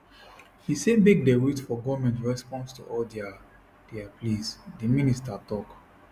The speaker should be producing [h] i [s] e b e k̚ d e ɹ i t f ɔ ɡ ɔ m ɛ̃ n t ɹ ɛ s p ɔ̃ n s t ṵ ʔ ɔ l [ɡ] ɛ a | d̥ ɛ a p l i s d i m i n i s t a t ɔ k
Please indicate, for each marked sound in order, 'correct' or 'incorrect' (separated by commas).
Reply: correct, correct, incorrect